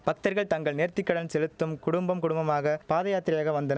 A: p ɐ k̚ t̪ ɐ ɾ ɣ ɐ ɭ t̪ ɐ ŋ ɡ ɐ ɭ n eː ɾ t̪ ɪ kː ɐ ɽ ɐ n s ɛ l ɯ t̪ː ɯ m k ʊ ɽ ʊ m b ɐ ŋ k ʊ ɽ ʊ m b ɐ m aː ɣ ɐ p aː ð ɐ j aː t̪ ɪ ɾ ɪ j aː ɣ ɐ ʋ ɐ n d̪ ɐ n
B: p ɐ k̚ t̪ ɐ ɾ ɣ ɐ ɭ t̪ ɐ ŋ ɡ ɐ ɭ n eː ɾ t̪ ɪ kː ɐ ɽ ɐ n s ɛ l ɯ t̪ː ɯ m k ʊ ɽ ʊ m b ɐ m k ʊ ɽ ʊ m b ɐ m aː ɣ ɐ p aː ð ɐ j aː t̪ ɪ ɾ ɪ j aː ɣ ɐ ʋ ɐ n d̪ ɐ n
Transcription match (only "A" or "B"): B